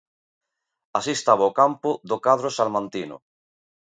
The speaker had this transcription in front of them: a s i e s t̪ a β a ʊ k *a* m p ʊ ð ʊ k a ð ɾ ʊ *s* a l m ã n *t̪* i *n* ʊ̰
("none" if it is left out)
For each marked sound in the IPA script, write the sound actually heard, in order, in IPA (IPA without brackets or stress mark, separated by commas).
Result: a, s, t̪, n